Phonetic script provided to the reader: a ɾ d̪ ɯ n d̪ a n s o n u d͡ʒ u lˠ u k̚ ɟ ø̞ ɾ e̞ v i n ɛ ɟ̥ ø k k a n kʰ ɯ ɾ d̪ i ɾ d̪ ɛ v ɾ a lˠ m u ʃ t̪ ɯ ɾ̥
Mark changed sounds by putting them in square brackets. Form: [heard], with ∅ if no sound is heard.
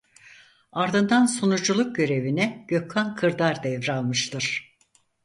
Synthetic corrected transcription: a ɾ d̪ ɯ n d̪ a n s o n u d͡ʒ u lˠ u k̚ ɟ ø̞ ɾ e̞ v i n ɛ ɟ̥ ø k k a n kʰ ɯ ɾ d̪ [a] ɾ d̪ ɛ v ɾ a lˠ m [ɯ] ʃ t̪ ɯ ɾ̥